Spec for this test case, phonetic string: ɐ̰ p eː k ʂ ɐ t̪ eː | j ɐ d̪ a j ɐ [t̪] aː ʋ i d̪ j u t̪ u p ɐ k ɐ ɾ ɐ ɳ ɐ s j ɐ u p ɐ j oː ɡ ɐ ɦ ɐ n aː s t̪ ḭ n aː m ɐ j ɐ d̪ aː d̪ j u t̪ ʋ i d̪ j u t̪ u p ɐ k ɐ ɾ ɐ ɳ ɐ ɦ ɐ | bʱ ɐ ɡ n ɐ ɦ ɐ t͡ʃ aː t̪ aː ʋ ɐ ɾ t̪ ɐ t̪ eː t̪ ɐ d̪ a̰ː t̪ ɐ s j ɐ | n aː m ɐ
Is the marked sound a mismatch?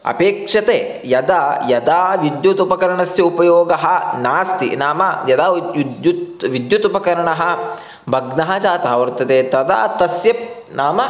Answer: yes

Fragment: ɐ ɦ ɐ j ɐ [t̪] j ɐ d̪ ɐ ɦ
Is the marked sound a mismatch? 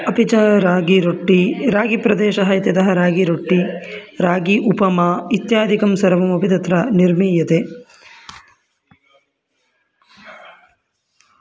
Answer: no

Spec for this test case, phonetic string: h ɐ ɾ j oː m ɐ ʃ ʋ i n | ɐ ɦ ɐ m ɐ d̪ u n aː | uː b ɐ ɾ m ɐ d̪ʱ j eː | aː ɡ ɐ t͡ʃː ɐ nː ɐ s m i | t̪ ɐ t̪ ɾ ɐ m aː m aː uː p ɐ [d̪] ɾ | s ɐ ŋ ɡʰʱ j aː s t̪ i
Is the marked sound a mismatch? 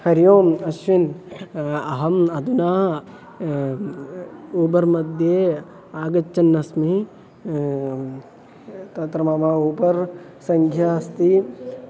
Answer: yes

